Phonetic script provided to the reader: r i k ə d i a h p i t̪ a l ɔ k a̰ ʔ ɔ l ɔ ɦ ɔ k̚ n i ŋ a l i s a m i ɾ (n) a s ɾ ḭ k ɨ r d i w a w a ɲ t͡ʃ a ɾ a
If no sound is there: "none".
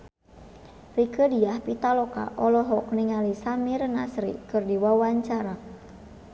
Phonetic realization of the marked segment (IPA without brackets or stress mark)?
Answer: n